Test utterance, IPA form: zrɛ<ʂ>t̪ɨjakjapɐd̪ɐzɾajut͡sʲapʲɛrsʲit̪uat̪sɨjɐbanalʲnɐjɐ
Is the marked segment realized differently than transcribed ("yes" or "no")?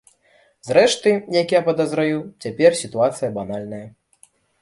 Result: no